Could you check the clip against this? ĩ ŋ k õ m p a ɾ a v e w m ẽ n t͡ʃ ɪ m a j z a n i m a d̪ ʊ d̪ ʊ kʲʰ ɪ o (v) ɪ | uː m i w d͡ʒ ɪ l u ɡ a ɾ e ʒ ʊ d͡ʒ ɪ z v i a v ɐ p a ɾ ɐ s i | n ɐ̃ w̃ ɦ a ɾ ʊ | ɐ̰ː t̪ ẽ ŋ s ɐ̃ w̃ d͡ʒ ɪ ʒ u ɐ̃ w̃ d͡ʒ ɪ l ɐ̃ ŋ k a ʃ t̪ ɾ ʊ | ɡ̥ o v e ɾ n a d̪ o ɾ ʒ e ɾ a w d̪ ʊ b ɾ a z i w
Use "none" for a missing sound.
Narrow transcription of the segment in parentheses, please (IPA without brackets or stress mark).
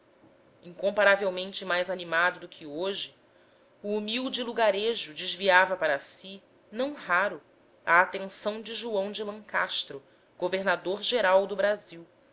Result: ʒ